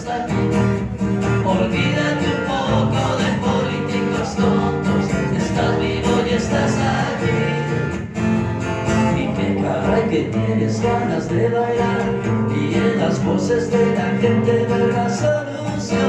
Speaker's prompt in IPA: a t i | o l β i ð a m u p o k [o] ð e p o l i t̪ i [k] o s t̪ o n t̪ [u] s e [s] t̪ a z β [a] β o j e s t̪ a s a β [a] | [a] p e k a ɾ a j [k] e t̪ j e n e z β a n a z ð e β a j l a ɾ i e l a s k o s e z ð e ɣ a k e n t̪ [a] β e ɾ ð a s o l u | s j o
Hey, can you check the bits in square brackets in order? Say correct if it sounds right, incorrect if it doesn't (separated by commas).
correct, correct, incorrect, correct, incorrect, incorrect, incorrect, correct, incorrect